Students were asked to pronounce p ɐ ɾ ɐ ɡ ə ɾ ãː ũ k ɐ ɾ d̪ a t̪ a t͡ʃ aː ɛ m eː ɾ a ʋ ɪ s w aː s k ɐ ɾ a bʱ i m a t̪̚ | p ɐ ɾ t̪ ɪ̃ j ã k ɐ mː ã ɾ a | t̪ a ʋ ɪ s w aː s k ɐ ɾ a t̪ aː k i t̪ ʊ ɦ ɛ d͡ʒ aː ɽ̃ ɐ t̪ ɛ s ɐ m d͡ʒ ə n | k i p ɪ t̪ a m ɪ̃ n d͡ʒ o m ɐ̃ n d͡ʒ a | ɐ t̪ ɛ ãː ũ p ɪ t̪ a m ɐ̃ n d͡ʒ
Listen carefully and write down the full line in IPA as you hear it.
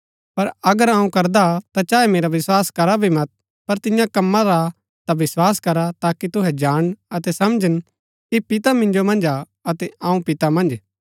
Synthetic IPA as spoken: p ɐ ɾ ɐ ɡ ə ɾ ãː ũ k ɐ ɾ d̪ a t̪ a t͡ʃ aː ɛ m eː ɾ a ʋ ɪ s w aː s k ɐ ɾ a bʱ i m ɐ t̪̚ | p ɐ ɾ t̪ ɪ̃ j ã k ɐ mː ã ɾ a | t̪ a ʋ ɪ s w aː s k ɐ ɾ a t̪ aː k i t̪ ʊ ɦ ɛ d͡ʒ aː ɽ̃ ɐ t̪ ɛ s ɐ m d͡ʒ ə n | k i p ɪ t̪ a m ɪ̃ n d͡ʒ o m ɐ̃ n d͡ʒ a | ɐ t̪ ɛ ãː ũ p ɪ t̪ a m ɐ̃ n d͡ʒ

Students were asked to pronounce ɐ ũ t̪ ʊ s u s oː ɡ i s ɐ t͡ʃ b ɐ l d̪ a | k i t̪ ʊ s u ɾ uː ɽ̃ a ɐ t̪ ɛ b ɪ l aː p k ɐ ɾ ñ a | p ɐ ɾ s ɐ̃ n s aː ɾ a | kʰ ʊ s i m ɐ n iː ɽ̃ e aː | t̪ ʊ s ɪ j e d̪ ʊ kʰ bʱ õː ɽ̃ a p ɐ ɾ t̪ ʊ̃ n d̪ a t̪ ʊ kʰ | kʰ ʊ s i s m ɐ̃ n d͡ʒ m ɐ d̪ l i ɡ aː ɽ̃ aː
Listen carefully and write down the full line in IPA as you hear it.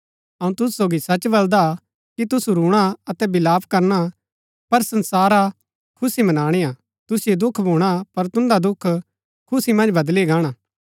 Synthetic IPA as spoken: ɐ ũ t̪ ʊ s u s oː ɡ i s ɐ t͡ʃ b ɐ l d̪ a | k i t̪ ʊ s u ɾ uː ɽ̃ a ɐ t̪ ɛ b ɪ l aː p k ɐ ɾ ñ a | p ɐ ɾ s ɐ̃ n s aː ɾ a | kʰ ʊ s i m ɐ n aː ɽ̃ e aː | t̪ ʊ s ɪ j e d̪ ʊ kʰ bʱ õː ɽ̃ a p ɐ ɾ t̪ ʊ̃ n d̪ a d̪ ʊ kʰ | kʰ ʊ s i m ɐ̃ n d͡ʒ b ɐ d̪ l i ɡ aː ɽ̃ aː

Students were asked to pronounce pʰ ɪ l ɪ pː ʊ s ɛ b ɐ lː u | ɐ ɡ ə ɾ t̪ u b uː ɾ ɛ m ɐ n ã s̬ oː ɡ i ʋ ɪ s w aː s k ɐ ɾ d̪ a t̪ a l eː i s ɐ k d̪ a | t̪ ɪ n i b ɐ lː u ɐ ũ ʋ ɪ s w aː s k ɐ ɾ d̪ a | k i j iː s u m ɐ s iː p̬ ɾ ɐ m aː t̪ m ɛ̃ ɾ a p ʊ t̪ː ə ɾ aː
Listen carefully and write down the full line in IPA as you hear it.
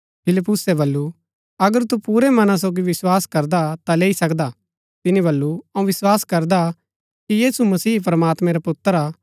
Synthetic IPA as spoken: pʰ ɪ l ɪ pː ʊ s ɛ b ɐ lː u | ɐ ɡ ə ɾ t̪ u p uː ɾ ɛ m ɐ n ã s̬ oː ɡ i ʋ ɪ s w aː s k ɐ ɾ d̪ a t̪ a l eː i s ɐ k d̪ a | t̪ ɪ n i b ɐ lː u ɐ ũ ʋ ɪ s w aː s k ɐ ɾ d̪ a | k i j iː s u m ɐ s iː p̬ ɾ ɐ m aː t̪ m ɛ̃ ɾ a p ʊ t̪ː ə ɾ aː

